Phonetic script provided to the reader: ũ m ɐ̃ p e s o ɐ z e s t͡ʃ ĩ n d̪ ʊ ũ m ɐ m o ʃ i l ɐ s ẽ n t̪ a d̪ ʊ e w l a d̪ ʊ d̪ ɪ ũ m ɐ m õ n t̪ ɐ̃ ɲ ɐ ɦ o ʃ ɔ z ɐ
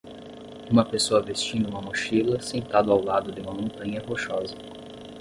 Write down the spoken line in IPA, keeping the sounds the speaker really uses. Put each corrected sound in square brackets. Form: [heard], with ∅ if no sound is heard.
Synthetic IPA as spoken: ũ m [ɐ] p e s o ɐ [v] e s t͡ʃ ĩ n d̪ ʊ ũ m ɐ m o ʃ i l ɐ s ẽ n t̪ a d̪ ʊ [a] w l a d̪ ʊ d̪ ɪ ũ m ɐ m õ n t̪ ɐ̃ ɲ ɐ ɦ o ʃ ɔ z ɐ